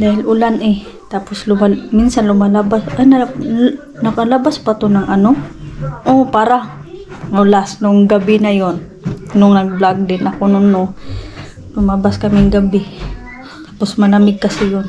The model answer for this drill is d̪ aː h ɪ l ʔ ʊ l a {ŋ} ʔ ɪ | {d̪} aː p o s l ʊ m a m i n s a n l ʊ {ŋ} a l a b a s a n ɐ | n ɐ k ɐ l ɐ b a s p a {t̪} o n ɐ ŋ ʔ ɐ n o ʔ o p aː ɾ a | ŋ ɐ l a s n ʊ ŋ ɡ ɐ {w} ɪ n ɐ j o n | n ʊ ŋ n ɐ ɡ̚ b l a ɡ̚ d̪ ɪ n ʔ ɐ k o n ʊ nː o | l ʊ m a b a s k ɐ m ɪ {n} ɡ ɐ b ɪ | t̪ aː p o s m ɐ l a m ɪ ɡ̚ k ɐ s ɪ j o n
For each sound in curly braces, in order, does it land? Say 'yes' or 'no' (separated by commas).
no, no, no, yes, no, no